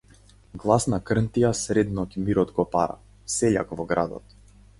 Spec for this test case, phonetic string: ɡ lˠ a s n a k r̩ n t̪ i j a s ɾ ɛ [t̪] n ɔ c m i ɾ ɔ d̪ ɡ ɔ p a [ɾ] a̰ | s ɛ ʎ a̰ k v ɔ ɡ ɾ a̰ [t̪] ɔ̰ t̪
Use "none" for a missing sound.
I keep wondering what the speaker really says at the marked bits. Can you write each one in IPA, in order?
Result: d̪, ɾ, d̪

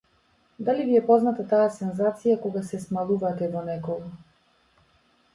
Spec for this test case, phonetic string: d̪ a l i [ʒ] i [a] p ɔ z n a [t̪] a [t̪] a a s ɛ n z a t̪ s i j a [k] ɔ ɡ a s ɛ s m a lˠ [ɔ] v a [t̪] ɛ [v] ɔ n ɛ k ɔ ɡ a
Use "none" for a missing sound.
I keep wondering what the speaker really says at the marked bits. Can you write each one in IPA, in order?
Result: v, ɛ, t̪, t̪, k, u, t̪, v

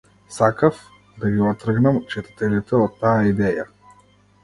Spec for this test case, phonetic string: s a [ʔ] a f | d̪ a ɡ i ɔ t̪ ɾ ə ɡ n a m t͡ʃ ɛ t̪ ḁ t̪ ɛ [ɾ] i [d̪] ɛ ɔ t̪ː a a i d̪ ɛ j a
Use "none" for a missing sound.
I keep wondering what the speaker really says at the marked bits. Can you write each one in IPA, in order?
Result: k, l, t̪

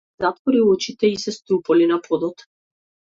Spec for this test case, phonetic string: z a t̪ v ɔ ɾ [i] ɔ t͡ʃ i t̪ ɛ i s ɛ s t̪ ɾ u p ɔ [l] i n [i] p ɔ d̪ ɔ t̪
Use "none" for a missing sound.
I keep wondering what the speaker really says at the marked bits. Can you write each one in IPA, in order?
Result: i, l, a

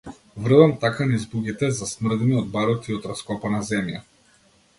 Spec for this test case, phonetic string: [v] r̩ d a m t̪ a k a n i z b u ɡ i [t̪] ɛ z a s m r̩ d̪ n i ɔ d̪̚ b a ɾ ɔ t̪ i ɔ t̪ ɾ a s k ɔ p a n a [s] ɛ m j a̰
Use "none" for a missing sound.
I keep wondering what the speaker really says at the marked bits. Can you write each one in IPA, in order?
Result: v, t̪, z

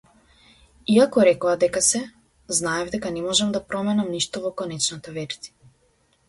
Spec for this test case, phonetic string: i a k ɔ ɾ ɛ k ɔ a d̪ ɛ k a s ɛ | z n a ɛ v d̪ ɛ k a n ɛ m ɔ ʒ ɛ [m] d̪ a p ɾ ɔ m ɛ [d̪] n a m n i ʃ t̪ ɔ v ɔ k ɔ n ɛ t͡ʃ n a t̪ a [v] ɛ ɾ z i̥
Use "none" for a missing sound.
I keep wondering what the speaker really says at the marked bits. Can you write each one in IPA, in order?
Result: m, none, v

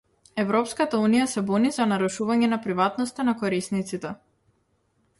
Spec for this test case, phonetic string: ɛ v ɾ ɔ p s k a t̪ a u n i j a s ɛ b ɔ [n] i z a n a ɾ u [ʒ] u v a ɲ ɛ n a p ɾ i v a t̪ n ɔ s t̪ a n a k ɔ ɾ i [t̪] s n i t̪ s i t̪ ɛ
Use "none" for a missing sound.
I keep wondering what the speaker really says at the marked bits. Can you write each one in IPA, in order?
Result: n, ʃ, none

